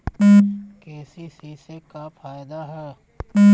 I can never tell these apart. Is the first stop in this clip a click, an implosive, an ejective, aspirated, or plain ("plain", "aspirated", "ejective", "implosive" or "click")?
plain